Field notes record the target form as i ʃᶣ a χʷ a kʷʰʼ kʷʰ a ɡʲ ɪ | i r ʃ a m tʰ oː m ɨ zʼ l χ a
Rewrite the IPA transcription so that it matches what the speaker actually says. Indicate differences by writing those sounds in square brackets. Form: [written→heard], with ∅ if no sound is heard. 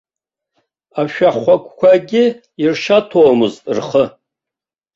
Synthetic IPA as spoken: [i→a] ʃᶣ a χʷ a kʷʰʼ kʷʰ a ɡʲ ɪ | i r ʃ a [m→∅] tʰ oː m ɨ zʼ [l→r] χ [a→ə]